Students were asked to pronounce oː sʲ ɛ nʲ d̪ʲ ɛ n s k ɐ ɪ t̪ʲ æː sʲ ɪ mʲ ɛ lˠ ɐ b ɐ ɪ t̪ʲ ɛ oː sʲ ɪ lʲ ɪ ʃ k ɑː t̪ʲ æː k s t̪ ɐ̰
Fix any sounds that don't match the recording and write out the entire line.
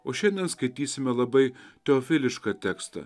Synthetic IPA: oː ʃʲ ɛ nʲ d̪ʲ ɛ n s k ɐ ɪ t̪ʲ iː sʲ ɪ mʲ ɛ lˠ ɐ b ɐ ɪ t̪ʲ ɛ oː fʲ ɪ lʲ ɪ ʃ k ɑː t̪ʲ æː k s t̪ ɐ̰

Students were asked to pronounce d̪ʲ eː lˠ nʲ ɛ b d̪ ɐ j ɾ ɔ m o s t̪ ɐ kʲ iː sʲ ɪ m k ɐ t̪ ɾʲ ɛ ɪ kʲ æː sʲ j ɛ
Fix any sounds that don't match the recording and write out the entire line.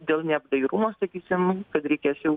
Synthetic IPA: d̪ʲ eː lˠ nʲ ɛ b d̪ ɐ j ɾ u m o s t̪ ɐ kʲ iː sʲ ɪ m k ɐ t̪ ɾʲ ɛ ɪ kʲ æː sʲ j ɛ

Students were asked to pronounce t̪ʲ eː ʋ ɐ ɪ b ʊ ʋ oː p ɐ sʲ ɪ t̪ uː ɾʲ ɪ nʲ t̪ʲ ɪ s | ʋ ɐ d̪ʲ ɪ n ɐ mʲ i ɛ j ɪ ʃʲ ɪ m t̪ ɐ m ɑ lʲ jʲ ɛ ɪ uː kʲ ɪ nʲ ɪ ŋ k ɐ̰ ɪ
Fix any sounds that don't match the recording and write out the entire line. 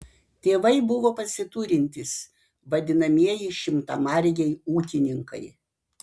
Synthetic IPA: t̪ʲ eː ʋ ɐ ɪ b ʊ ʋ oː p ɐ sʲ ɪ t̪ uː ɾʲ ɪ nʲ t̪ʲ ɪ s | ʋ ɐ d̪ʲ ɪ n ɐ mʲ i ɛ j ɪ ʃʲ ɪ m t̪ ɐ m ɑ ɾʲ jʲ ɛ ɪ uː kʲ ɪ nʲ ɪ ŋ k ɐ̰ ɪ

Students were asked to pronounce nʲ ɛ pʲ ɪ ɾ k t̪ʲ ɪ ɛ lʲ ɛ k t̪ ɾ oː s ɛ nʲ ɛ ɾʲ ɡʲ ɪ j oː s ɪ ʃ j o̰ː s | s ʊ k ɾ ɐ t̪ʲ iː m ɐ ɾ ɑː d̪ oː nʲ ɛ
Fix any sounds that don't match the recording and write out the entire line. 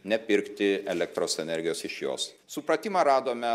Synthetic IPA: nʲ ɛ pʲ ɪ ɾ k t̪ʲ ɪ ɛ lʲ ɛ k t̪ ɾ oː s ɛ nʲ ɛ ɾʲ ɡʲ ɪ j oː s ɪ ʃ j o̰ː s | s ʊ p ɾ ɐ t̪ʲ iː m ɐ ɾ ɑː d̪ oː mʲ ɛ

